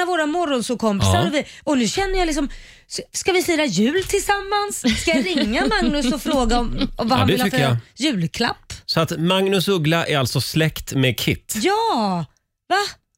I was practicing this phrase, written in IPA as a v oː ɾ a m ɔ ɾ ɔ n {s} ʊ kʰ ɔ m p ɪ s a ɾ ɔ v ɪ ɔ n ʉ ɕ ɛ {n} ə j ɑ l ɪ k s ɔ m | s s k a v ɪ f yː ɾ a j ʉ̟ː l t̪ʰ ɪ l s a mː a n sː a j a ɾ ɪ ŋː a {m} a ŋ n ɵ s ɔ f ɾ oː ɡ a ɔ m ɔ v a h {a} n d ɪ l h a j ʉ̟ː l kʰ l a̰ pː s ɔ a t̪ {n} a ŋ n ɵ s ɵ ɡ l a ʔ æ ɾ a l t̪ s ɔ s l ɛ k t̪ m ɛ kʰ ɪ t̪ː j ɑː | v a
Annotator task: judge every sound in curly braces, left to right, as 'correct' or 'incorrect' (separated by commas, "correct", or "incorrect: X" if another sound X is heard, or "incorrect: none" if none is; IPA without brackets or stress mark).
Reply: correct, incorrect: nː, correct, correct, incorrect: m